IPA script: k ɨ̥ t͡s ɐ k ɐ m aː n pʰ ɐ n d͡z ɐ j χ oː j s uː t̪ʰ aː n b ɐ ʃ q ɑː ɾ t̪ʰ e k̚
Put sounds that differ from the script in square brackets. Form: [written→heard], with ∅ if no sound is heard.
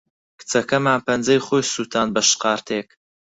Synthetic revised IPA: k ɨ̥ t͡s ɐ k ɐ m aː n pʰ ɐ n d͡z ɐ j χ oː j s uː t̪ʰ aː n b ɐ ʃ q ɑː ɾ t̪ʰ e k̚